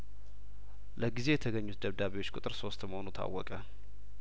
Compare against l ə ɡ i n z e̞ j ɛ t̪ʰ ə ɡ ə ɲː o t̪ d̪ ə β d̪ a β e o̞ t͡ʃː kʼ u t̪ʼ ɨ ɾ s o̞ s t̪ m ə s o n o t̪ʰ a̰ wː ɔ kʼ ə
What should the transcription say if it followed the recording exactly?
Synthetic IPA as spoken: l ə ɡ i z e̞ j ɛ t̪ʰ ə ɡ ə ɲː u t̪ d̪ ə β d̪ a β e o̞ t͡ʃː kʼ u t̪ʼ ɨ ɾ s o̞ s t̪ m ə h o n u t̪ʰ a̰ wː ɔ kʼ ə